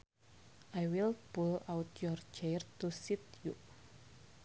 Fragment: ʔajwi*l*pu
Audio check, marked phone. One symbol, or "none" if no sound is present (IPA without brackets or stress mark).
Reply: l